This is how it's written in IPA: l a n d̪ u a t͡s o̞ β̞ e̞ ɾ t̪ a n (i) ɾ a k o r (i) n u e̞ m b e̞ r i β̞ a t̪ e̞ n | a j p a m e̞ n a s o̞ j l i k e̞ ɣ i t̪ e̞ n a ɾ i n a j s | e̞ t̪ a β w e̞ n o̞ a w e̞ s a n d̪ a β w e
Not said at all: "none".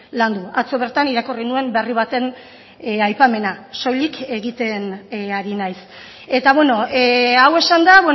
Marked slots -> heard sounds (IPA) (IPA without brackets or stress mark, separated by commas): i, i